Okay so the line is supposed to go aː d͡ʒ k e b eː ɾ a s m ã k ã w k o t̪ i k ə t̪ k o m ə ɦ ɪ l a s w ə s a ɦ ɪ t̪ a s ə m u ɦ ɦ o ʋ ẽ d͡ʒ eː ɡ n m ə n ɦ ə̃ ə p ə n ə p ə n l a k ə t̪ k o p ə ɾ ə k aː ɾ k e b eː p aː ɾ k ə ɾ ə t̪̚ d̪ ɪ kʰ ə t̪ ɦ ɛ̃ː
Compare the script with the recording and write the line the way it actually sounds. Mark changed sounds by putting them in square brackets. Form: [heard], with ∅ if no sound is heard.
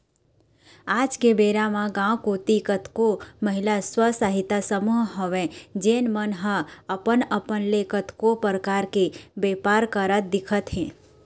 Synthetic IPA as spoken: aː d͡ʒ k e b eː ɾ a [∅] m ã [ɡ] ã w k o t̪ i k ə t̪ k o m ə ɦ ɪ l a s w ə s a ɦ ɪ t̪ a s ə m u ɦ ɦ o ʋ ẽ d͡ʒ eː [∅] n m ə n ɦ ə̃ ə p ə n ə p ə n l [e] k ə t̪ k o p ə ɾ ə k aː ɾ k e b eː p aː ɾ k ə ɾ ə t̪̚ d̪ ɪ kʰ ə t̪ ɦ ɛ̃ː